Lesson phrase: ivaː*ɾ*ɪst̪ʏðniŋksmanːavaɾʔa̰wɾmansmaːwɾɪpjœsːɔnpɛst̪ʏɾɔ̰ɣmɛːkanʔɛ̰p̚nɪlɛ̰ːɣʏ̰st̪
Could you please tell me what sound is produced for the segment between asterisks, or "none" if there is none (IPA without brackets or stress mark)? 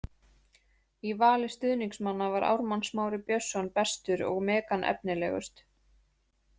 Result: l